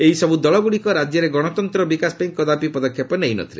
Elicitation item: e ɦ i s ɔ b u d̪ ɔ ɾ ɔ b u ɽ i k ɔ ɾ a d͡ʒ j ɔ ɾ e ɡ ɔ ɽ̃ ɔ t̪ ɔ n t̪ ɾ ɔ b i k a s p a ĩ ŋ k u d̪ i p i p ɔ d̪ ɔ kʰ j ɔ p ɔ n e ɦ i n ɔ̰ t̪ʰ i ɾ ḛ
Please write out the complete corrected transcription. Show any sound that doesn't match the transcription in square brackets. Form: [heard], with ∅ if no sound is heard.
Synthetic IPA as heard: e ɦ i s ɔ b u d̪ ɔ [ɭ] ɔ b u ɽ i k ɔ ɾ a d͡ʒ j ɔ ɾ e ɡ ɔ ɽ̃ ɔ t̪ ɔ n t̪ ɾ ɔ b i k a s p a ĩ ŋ k [ɔ] d̪ [a] p i p ɔ d̪ ɔ kʰ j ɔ p ɔ n e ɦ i n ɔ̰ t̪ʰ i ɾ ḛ